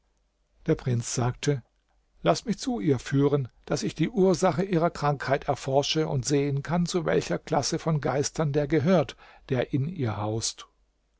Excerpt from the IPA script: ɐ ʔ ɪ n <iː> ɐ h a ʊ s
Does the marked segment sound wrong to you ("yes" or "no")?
no